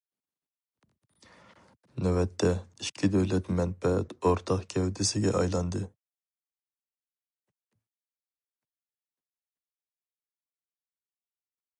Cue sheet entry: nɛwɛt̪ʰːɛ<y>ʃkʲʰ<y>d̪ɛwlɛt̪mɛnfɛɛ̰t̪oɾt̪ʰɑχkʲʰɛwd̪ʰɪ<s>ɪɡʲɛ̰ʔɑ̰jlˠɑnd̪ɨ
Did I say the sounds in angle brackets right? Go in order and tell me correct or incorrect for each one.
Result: incorrect: i, incorrect: i, correct

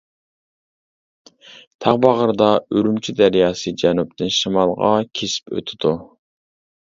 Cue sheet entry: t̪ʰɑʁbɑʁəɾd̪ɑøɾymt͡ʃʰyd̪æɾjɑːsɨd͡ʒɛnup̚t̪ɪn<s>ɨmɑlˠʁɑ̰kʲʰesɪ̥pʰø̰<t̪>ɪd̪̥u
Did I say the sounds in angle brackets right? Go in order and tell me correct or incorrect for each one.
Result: incorrect: ʃ, incorrect: t̪ʰ

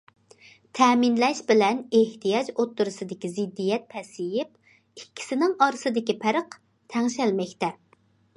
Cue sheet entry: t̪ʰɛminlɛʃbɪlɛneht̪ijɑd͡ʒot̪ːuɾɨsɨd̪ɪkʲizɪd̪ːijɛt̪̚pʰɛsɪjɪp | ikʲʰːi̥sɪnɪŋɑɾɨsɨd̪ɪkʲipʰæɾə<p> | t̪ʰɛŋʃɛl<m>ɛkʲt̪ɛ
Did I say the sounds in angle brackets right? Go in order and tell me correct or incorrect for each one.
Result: incorrect: q, correct

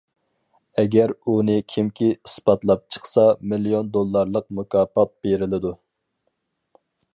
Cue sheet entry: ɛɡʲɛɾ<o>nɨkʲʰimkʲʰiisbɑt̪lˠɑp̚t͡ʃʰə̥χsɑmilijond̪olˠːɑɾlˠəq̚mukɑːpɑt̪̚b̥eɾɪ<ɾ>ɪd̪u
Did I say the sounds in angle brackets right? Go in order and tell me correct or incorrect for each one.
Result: incorrect: u, incorrect: l

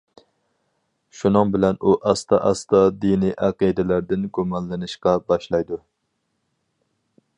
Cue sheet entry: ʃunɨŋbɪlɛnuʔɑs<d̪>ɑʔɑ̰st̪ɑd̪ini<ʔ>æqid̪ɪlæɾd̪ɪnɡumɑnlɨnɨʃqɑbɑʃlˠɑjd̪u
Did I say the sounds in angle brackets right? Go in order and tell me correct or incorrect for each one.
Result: incorrect: t̪, correct

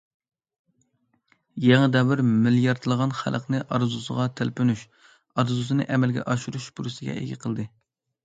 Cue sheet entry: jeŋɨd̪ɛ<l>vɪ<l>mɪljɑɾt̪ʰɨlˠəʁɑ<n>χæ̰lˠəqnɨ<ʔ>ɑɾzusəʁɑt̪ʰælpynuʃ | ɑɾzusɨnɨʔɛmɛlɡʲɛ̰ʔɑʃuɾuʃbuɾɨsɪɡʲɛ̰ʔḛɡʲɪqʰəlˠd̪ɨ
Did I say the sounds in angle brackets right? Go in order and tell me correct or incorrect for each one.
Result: incorrect: none, incorrect: ɾ, correct, correct

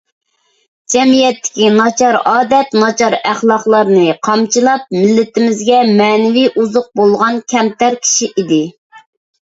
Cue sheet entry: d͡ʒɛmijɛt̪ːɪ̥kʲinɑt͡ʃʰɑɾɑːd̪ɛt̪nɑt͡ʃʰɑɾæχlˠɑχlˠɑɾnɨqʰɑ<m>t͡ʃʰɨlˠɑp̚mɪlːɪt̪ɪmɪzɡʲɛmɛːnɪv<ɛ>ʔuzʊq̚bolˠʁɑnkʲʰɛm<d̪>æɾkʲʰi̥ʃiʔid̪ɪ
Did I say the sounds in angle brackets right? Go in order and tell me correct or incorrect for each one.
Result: correct, incorrect: i, incorrect: t̪

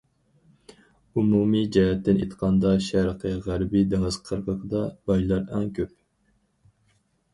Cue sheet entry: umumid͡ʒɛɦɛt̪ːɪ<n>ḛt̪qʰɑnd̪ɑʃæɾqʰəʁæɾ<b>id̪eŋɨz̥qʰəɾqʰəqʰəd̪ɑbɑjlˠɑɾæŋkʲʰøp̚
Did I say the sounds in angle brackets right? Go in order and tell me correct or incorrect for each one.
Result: correct, correct

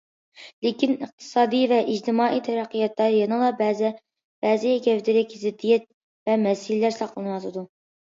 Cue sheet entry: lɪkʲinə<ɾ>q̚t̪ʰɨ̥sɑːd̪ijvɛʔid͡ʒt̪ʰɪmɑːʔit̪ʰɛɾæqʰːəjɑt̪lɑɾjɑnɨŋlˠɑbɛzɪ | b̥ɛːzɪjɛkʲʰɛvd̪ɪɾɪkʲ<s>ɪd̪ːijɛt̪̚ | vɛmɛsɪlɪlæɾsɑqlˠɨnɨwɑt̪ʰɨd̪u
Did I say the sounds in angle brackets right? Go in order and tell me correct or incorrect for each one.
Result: incorrect: none, incorrect: z

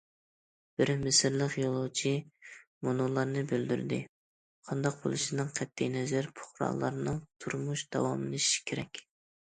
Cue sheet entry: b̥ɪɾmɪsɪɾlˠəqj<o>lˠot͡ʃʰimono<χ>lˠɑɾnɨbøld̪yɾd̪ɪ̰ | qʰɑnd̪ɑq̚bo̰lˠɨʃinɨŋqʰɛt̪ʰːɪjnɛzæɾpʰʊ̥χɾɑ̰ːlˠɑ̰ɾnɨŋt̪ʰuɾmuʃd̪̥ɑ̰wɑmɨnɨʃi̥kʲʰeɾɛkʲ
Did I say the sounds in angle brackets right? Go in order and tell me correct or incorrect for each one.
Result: correct, incorrect: none

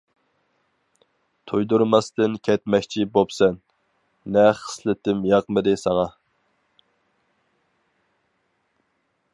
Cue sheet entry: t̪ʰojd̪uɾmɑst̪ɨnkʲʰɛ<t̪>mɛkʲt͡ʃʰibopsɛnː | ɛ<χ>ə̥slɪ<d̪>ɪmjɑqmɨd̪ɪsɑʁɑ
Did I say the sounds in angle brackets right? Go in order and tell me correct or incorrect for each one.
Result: correct, correct, incorrect: t̪

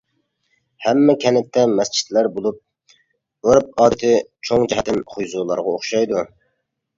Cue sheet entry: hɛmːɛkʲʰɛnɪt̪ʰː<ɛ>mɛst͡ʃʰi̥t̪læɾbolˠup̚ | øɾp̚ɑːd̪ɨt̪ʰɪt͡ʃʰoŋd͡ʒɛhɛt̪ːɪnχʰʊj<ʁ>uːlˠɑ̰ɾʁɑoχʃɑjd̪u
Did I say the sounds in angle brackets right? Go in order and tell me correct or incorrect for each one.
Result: correct, incorrect: z

